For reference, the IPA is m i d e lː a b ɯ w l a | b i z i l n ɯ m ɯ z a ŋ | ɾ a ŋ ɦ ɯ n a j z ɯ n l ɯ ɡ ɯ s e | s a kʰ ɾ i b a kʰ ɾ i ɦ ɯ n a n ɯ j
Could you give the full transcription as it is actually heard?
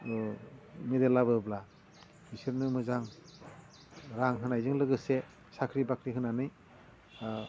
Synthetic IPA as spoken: m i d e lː a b ɯ b l a | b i s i ɾ n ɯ m ɯ z a ŋ | ɾ a ŋ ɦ ɯ n a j z ɯ ŋ l ɯ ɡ ɯ s e | s a kʰ ɾ i b a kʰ ɾ i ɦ ɯ n a n ɯ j

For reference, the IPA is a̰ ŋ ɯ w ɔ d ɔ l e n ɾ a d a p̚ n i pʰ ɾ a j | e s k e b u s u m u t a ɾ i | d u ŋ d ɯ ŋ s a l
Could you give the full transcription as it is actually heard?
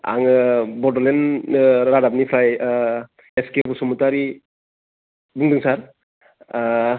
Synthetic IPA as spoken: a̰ ŋ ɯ b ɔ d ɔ l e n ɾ a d a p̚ n i pʰ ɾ a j | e s k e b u s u m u t a ɾ i | b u ŋ d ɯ ŋ s a ɾ

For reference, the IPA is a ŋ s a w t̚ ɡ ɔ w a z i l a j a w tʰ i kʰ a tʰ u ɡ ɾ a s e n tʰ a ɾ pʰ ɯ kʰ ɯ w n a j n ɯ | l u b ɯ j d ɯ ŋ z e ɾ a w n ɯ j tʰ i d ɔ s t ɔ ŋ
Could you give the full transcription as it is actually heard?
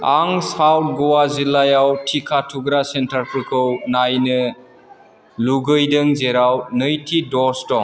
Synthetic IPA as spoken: a ŋ s a w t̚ ɡ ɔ w a z i l a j a w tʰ i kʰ a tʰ u ɡ ɾ a s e n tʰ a ɾ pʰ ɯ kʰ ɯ w n a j n ɯ | l u ɡ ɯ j d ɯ ŋ z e ɾ a w n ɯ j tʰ i d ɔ s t ɔ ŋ

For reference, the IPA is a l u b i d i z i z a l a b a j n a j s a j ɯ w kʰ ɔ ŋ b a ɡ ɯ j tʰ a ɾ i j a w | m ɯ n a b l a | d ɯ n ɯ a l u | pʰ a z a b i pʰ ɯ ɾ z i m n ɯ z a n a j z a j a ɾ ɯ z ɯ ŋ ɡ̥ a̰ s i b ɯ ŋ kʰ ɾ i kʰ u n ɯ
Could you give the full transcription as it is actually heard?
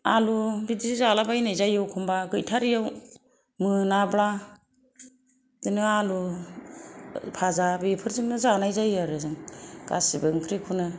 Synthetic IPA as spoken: a l u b i d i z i z a l a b a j n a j z a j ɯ w kʰ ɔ m b a ɡ ɯ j tʰ a ɾ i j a w | m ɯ n a b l a | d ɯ n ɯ a l u | pʰ a z a b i pʰ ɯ ɾ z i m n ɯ z a n a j z a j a ɾ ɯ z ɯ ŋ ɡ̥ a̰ s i b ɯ ŋ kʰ ɾ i kʰ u n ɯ

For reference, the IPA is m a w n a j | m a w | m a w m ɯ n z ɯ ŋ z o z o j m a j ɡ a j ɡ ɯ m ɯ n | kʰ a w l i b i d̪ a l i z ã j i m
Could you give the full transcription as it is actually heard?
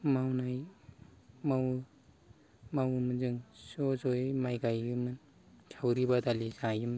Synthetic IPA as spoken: m a w n a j | m a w | m a w m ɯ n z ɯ ŋ s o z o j m a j ɡ a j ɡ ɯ m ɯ n | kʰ a w ɾ i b a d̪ a l i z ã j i m

